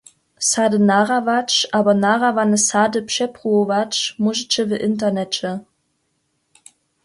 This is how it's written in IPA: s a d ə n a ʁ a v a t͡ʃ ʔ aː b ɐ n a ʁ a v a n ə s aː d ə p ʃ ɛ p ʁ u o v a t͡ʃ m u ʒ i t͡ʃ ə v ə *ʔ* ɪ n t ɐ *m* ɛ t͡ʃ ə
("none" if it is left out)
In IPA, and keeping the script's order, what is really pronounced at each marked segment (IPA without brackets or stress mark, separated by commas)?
ʔ, n